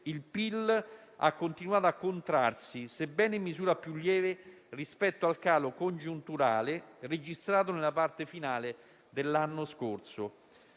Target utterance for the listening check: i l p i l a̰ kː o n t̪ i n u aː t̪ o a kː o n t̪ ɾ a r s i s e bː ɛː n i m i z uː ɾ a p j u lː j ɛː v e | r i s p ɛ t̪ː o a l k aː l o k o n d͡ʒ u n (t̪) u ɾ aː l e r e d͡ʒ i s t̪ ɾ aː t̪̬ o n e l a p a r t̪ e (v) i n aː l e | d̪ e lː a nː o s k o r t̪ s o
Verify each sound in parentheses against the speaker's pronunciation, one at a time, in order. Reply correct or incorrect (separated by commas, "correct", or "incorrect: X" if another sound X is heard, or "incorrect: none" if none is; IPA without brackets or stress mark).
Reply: correct, incorrect: f